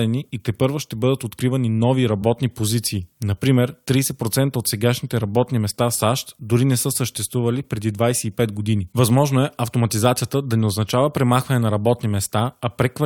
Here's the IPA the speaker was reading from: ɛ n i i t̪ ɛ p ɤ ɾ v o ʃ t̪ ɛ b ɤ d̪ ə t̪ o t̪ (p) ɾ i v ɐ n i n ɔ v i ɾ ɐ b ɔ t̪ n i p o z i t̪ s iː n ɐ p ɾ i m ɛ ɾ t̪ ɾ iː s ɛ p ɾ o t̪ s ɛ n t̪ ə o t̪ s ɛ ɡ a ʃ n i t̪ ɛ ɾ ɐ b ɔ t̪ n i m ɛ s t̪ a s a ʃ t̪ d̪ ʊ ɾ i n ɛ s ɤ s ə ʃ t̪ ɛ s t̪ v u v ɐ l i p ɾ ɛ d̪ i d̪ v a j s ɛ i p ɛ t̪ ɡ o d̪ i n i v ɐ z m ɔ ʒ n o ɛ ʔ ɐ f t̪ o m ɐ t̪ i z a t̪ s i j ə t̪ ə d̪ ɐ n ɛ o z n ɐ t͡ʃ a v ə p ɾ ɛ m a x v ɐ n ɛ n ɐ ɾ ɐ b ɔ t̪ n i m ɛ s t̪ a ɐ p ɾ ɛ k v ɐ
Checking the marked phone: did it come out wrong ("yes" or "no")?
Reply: yes